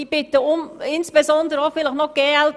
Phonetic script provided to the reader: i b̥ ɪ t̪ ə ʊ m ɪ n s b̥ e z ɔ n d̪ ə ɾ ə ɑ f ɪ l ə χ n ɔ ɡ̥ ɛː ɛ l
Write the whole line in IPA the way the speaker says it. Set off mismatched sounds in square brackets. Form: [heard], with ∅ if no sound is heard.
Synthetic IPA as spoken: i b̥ ɪ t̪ ə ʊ m ɪ n s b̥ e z ɔ n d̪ ə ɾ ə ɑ f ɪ l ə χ n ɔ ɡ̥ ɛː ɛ l